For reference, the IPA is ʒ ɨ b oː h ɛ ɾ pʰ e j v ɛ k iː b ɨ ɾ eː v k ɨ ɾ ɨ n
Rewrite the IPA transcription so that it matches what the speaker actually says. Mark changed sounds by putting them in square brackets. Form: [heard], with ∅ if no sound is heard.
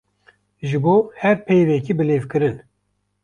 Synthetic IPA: ʒ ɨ b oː h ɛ ɾ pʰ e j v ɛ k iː b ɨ [l] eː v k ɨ ɾ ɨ n